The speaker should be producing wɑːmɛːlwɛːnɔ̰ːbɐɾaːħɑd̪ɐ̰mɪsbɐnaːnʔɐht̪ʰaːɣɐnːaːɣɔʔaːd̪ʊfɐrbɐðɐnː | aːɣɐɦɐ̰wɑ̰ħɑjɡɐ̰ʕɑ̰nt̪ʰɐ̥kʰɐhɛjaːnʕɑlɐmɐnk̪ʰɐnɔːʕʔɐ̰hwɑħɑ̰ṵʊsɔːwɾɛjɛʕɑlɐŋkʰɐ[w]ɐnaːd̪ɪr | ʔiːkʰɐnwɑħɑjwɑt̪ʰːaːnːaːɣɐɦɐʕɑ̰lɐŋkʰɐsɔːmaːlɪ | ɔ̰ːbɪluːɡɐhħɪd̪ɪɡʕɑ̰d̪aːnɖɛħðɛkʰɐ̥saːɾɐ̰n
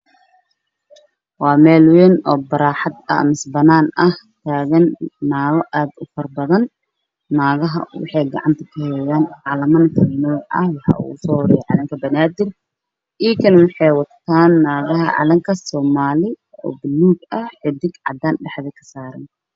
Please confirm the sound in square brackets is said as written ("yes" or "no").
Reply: no